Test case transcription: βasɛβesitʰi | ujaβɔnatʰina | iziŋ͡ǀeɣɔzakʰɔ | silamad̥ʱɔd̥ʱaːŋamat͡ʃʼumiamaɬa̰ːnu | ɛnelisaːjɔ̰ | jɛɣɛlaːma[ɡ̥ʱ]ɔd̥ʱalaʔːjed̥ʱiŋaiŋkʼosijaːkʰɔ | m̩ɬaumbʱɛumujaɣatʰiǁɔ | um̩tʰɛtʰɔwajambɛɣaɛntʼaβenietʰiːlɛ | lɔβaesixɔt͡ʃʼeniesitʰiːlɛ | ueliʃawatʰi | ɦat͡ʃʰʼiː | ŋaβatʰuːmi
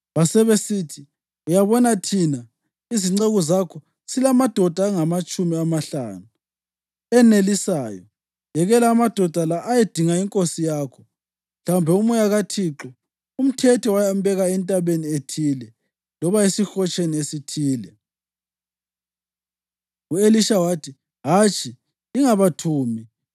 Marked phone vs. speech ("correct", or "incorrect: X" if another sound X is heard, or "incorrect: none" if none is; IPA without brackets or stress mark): incorrect: d̥ʱ